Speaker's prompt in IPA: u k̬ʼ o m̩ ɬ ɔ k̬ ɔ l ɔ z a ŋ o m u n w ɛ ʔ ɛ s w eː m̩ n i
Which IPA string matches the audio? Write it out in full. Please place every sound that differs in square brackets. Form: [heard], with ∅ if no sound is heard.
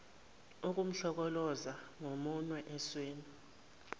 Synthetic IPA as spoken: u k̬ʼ [u] m̩ ɬ ɔ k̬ ɔ l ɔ z a ŋ o m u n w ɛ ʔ ɛ s w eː [∅] n i